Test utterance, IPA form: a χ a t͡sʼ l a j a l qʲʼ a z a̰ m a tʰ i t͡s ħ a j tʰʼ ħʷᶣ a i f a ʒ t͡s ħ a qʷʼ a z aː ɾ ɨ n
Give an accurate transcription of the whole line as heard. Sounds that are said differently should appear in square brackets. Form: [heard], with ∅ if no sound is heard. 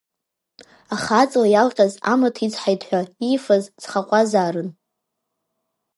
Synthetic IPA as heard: a χ a t͡sʼ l a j a l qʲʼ a z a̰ m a tʰ i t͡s ħ a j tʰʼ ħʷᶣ a i f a [z] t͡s [χ] a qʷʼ a z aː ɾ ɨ n